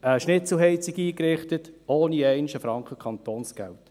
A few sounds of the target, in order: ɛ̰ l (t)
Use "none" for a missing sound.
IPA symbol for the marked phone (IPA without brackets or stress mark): t